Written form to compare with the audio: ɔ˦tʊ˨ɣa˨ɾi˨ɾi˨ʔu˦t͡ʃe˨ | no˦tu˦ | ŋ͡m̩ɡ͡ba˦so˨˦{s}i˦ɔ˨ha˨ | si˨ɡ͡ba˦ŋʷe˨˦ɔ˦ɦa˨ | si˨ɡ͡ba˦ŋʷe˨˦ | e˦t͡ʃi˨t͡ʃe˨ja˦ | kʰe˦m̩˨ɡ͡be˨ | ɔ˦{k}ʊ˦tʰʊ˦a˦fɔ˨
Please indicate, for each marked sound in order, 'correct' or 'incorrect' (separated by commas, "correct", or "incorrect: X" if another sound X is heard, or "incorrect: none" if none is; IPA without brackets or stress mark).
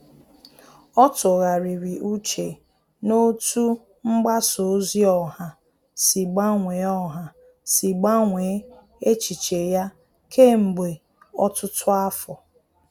incorrect: z, incorrect: t